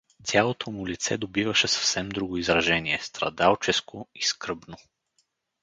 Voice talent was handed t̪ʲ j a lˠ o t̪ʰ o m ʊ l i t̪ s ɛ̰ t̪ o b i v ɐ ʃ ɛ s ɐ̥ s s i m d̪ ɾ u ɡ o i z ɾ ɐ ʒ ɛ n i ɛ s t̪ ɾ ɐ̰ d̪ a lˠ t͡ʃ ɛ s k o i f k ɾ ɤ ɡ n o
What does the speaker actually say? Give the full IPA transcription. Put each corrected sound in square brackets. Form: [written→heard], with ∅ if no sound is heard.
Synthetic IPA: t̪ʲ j a lˠ o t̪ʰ o m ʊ l i t̪ s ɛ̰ [t̪→d̪] o b i v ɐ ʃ ɛ s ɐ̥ [s→f] s [i→ɛ] m d̪ ɾ u ɡ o i z ɾ ɐ ʒ ɛ n i ɛ s t̪ ɾ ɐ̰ d̪ a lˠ t͡ʃ ɛ s k o i [f→s] k ɾ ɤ [ɡ→b] n o